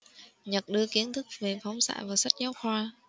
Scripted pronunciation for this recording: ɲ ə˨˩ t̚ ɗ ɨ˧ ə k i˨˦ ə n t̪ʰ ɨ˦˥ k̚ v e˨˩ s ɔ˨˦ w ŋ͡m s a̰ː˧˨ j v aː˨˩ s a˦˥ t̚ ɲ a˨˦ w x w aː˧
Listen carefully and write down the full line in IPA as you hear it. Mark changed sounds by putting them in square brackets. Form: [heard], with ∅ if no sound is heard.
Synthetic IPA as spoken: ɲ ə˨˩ t̚ ɗ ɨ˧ ə k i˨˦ ə n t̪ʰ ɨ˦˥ k̚ v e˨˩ [f] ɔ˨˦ w ŋ͡m s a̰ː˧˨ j v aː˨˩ s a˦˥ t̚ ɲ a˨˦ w x w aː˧

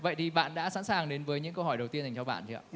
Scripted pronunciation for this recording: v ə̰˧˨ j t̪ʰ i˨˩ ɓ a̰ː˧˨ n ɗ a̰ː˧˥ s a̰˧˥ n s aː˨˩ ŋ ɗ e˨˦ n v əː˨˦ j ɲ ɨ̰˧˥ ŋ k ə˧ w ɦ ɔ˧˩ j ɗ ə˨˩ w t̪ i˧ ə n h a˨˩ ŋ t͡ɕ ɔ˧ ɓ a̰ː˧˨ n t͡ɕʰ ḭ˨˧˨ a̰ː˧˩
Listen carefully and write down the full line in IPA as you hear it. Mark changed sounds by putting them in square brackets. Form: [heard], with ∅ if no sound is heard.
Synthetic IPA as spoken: v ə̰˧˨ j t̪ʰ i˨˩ ɓ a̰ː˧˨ n ɗ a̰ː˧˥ s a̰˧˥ n s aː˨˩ ŋ ɗ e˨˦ n v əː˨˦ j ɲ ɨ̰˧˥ ŋ k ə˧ w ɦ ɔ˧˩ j ɗ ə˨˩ w t̪ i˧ ə n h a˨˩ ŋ t͡ɕ ɔ˧ ɓ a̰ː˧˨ n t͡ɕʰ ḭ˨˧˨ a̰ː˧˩

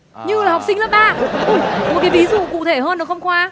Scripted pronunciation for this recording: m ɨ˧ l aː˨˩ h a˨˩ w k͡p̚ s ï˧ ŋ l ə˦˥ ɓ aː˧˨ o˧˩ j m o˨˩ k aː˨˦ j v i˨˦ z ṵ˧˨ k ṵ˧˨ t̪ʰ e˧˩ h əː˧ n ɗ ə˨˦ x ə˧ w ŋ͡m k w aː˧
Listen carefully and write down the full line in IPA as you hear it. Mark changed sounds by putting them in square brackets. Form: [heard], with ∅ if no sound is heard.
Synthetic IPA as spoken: [ɲ] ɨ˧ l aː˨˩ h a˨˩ w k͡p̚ s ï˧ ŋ l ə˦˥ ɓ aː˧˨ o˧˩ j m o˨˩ k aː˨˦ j v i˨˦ z ṵ˧˨ k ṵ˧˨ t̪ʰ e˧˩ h əː˧ n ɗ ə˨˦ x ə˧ w ŋ͡m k w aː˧

